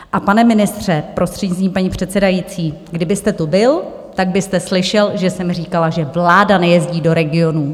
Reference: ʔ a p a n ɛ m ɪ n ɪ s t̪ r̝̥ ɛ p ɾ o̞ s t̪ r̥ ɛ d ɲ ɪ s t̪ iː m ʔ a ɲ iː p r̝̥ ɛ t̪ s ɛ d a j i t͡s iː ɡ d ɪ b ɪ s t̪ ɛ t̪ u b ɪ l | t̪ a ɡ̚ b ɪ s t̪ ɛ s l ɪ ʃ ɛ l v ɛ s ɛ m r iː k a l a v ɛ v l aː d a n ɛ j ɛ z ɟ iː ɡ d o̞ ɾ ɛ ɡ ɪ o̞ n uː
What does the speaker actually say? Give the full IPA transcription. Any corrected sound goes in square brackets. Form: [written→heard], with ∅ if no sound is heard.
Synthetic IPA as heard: ʔ a p a n ɛ m ɪ n ɪ s t̪ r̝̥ ɛ p ɾ o̞ s t̪ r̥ ɛ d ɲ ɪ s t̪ iː m [ʔ→p] a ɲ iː p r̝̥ ɛ t̪ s ɛ d a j i t͡s iː ɡ d ɪ b ɪ s t̪ ɛ t̪ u b ɪ l | t̪ a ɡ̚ b ɪ s t̪ ɛ s l ɪ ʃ ɛ l [v→ʒ] ɛ s ɛ m r iː k a l a [v→ʒ] ɛ v l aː d a n ɛ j ɛ z ɟ iː [ɡ→∅] d o̞ ɾ ɛ ɡ ɪ o̞ n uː